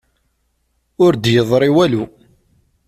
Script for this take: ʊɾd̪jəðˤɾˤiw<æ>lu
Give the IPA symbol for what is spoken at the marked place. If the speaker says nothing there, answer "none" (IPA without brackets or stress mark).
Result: æ